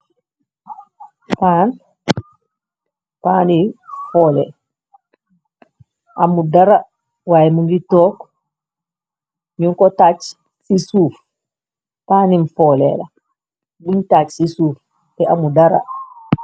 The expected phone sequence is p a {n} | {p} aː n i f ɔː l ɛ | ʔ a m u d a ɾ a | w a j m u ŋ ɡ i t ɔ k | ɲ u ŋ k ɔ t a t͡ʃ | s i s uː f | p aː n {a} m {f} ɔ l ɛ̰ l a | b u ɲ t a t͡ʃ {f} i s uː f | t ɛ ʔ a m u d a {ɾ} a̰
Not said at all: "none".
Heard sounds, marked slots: n, p, i, f, s, ɾ

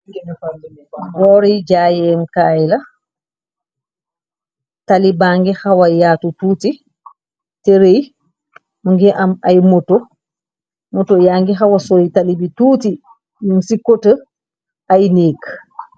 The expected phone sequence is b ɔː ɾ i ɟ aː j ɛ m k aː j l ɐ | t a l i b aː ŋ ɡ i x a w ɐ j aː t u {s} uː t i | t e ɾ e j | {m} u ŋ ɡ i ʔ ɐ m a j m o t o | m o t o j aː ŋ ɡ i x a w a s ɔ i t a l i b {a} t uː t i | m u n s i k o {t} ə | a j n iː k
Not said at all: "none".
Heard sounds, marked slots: t, m, i, t

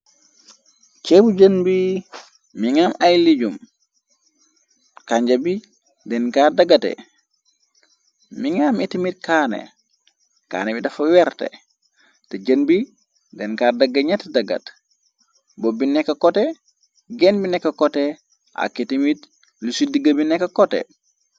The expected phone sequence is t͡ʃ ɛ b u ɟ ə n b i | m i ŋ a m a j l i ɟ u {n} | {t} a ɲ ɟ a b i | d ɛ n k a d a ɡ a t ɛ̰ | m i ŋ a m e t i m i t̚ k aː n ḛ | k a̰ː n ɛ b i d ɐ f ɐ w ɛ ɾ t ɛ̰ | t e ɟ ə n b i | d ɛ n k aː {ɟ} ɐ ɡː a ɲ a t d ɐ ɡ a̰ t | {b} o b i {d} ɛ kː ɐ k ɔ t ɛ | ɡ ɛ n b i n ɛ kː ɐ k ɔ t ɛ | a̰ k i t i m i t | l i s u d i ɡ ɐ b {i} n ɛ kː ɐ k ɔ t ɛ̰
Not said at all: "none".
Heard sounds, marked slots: m, k, d, b, n, i

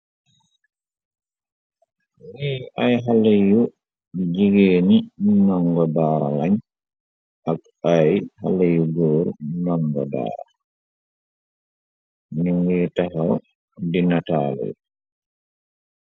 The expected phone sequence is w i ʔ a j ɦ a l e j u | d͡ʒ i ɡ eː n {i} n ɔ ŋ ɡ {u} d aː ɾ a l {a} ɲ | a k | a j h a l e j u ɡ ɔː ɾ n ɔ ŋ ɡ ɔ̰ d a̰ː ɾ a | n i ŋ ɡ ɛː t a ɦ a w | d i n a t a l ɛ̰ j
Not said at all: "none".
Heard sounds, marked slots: i, ɔ, a

